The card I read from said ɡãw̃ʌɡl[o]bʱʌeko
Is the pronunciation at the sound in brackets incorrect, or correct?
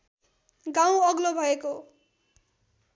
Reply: correct